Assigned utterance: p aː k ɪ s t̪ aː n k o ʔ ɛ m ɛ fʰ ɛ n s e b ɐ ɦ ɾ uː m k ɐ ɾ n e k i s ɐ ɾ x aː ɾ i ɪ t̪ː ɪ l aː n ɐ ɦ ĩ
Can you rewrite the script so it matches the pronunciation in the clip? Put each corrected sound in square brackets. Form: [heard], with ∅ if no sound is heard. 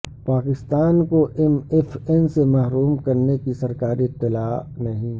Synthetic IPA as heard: p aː k ɪ s t̪ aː n k o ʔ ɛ m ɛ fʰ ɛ n s e [m] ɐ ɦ ɾ uː m k ɐ ɾ n e k i s ɐ ɾ [k] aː ɾ i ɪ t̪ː ɪ l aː n ɐ ɦ ĩ